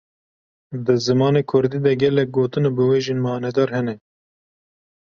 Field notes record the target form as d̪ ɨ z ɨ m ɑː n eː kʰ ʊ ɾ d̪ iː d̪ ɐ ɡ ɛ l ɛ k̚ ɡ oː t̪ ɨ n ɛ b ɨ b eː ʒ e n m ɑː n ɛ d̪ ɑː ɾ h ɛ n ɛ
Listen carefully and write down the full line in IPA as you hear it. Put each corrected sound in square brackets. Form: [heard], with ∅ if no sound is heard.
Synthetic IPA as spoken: d̪ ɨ z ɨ m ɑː n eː kʰ ʊ ɾ d̪ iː d̪ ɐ ɡ ɛ l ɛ k̚ ɡ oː t̪ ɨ n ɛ b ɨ [w] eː ʒ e n m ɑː n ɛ d̪ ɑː ɾ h ɛ n ɛ